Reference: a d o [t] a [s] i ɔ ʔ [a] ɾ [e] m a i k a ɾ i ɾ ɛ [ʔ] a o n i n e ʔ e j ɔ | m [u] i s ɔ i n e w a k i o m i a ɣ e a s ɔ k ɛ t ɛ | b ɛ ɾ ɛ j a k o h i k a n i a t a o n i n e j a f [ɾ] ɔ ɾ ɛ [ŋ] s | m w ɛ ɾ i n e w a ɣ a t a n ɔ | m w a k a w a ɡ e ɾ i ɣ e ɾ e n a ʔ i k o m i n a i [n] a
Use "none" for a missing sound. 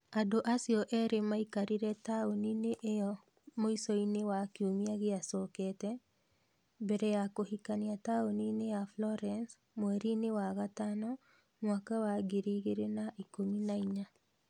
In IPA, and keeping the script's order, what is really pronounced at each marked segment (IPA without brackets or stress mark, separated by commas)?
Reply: ʔ, s, ɛ, e, t, o, l, n, ɲ